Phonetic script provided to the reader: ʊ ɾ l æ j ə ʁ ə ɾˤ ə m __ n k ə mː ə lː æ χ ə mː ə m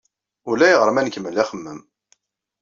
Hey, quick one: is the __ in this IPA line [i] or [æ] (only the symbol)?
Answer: æ